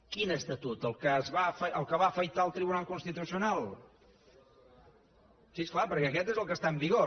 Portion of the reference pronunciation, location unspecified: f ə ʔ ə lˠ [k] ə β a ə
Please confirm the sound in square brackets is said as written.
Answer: yes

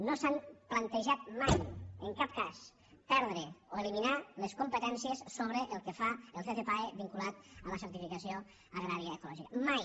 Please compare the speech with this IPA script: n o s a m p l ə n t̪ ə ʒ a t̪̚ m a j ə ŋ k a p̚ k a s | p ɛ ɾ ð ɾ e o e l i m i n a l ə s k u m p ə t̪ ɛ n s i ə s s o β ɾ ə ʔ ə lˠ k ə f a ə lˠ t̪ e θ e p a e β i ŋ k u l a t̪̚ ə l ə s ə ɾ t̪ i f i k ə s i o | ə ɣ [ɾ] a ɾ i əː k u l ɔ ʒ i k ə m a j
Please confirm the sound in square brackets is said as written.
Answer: yes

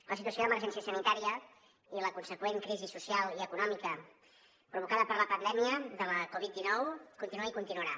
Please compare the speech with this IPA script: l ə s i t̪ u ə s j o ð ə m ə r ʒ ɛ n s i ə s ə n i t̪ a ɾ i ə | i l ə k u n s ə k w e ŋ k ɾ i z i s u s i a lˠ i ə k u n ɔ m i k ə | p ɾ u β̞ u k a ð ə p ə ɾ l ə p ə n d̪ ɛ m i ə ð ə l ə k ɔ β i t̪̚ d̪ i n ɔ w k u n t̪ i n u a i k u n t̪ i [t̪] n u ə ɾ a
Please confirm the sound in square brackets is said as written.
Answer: no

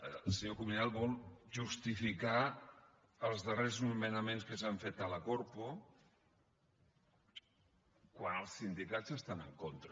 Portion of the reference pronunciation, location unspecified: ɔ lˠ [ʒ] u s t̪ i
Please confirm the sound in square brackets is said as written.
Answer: yes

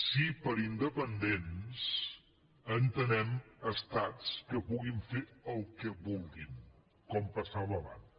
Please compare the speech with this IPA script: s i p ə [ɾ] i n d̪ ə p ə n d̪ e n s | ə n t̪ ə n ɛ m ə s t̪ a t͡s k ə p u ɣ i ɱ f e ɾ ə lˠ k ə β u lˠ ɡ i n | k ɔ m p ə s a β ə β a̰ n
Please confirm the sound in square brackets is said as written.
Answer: yes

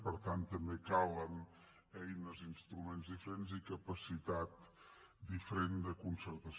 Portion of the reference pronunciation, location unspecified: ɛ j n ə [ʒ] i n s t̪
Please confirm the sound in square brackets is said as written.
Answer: no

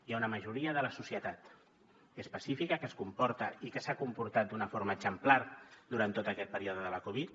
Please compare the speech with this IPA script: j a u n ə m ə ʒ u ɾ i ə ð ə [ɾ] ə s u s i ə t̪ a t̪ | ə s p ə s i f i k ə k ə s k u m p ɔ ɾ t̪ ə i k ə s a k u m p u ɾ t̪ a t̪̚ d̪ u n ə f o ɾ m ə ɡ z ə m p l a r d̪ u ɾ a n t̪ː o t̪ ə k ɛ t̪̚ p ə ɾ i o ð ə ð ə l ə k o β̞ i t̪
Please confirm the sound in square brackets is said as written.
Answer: no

